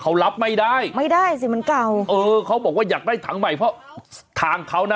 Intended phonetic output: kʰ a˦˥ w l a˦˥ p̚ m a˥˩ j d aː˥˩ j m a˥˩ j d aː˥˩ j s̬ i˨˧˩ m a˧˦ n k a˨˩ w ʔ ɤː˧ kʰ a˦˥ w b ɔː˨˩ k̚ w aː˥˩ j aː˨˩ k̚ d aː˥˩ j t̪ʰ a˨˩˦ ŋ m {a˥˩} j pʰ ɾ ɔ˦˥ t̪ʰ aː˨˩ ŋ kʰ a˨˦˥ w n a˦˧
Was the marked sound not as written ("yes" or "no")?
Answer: yes